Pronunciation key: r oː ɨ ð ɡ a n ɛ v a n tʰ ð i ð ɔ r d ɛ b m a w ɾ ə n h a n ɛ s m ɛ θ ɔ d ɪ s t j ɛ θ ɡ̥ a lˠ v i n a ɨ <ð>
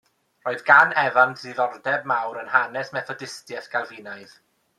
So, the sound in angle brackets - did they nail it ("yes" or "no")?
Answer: yes